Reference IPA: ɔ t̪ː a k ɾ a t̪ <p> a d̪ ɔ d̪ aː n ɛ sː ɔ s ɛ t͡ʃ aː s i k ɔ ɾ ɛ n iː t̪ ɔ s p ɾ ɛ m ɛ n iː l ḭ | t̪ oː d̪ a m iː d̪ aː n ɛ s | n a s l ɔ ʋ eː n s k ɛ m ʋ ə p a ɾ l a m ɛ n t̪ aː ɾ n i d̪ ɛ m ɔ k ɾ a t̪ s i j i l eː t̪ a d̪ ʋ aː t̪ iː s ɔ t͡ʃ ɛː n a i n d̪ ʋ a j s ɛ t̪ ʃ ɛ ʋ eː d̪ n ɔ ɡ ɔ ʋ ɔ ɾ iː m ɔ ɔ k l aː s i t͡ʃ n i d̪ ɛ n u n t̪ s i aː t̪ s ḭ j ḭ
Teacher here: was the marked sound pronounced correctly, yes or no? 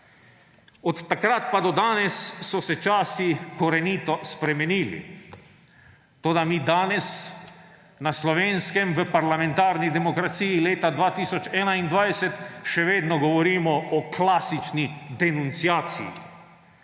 yes